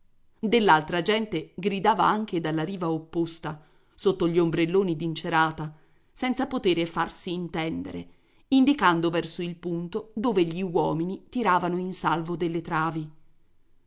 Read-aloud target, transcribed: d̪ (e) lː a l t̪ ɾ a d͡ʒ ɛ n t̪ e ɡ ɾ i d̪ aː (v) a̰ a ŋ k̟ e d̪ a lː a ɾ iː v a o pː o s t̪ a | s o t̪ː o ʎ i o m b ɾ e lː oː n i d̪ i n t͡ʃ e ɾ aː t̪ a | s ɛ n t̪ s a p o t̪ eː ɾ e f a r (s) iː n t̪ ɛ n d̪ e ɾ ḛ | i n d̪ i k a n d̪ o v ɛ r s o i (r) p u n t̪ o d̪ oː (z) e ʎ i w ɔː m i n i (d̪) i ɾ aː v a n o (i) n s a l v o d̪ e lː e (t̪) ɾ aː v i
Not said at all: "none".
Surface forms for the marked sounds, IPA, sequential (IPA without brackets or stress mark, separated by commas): e, v, s, l, v, t̪, i, t̪